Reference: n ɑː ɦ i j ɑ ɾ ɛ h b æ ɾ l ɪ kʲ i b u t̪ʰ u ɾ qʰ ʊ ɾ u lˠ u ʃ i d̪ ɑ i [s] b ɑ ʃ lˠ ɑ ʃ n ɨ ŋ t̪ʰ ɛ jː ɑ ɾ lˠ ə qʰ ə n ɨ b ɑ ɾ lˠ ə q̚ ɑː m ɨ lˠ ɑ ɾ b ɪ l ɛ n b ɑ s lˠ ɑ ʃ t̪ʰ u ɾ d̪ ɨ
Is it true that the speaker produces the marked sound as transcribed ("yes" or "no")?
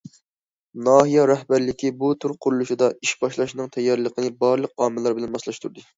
no